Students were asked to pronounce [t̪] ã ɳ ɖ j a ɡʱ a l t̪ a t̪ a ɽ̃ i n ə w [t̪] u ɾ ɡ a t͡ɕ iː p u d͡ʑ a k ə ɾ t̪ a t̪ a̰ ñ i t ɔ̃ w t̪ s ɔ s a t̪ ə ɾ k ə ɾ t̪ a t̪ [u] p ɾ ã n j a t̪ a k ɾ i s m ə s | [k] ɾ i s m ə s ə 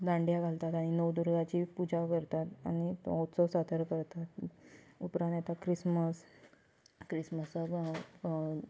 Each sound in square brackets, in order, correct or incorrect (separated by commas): incorrect, incorrect, correct, correct